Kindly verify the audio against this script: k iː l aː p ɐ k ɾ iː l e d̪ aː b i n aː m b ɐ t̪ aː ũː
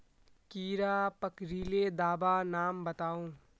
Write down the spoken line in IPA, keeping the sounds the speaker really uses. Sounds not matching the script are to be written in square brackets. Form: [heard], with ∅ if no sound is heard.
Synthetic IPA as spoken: k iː [ɾ] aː p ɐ k ɾ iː l e d̪ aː b [a] n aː m b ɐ t̪ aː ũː